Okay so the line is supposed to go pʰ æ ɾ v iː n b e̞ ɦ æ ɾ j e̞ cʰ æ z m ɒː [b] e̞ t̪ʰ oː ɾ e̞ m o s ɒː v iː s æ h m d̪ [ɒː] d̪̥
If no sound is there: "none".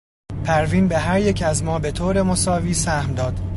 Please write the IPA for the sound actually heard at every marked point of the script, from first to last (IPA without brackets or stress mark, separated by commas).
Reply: b, ɒː